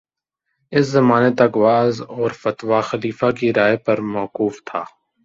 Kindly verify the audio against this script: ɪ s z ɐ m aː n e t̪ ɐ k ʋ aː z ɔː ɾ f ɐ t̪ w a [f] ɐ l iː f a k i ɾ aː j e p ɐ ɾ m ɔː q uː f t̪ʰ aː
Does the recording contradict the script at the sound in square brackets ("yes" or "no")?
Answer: yes